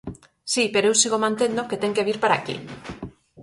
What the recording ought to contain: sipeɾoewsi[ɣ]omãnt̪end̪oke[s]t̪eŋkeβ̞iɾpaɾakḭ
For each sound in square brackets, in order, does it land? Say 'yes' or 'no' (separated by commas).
yes, no